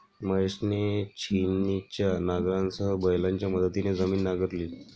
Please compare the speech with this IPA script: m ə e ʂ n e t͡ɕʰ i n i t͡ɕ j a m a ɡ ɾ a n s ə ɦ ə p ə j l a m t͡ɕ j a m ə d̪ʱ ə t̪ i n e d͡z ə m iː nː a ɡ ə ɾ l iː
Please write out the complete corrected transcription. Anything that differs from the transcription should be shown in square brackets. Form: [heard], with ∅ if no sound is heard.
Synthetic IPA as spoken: m ə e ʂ n e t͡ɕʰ i n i t͡ɕ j a [n] a ɡ ɾ a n s ə ɦ ə [b] ə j l a [ɲ] t͡ɕ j a m ə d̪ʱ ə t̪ i n e d͡z ə m iː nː a ɡ ə ɾ l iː